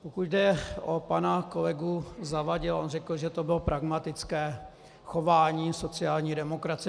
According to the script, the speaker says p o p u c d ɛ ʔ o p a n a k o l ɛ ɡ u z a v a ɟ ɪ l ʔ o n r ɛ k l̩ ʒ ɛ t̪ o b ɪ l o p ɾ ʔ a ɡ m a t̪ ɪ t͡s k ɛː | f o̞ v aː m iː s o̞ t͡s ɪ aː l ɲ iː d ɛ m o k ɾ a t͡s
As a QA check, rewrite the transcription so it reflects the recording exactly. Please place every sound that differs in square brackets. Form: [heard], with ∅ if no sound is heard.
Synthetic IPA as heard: p o [k] u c d ɛ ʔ o p a n a k o l ɛ ɡ u z a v a ɟ ɪ l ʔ o n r ɛ k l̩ ʒ ɛ t̪ o b ɪ l o p ɾ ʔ a ɡ m a t̪ ɪ t͡s k ɛː | [x] o̞ v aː [ɲ] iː s o̞ t͡s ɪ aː l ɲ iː d ɛ m o k ɾ a t͡s